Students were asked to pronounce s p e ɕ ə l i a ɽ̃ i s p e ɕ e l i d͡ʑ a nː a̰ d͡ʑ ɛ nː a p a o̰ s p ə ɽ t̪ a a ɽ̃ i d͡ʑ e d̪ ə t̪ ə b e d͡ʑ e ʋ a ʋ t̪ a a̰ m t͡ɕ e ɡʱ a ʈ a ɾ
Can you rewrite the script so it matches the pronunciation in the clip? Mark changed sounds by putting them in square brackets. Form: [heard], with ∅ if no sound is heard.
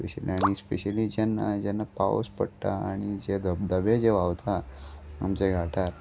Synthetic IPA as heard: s p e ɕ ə l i a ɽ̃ i s p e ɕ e l i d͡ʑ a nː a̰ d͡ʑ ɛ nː a p a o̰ s p ə ɽ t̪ a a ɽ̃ i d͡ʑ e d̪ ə [d̪] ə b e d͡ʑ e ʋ a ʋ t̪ a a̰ m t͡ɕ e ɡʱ a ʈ a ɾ